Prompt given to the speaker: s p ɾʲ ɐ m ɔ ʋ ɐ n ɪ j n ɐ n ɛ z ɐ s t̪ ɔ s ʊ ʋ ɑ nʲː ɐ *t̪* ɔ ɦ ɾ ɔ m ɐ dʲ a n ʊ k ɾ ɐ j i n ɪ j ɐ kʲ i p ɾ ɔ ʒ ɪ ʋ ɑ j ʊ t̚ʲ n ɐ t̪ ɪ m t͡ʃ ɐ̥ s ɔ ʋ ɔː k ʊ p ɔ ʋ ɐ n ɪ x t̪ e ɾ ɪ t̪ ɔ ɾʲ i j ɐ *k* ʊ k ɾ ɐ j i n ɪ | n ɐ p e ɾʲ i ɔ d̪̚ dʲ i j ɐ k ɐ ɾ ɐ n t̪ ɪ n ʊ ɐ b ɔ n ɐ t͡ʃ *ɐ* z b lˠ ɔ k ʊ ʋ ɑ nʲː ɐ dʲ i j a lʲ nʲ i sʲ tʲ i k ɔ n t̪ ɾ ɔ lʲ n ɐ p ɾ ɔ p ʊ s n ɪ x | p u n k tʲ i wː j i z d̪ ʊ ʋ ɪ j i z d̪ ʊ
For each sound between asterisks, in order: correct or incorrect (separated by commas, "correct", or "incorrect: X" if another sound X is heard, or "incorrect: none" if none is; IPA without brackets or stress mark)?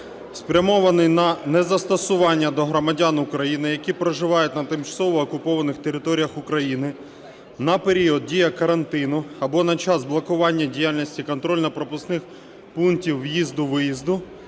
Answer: incorrect: d̪, incorrect: x, incorrect: ɑ